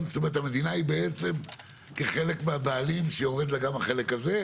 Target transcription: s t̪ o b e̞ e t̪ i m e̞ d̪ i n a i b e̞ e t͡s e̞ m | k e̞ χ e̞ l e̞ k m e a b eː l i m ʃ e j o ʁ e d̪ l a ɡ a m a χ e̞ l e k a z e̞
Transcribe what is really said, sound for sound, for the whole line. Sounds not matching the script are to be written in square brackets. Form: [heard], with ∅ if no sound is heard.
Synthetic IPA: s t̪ o [m] e̞ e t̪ [a] m e̞ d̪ i n a i b e̞ e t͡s e̞ m | k e̞ χ e̞ l e̞ k m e a b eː l i m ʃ e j o ʁ e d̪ l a ɡ a m a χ e̞ l e k a z e̞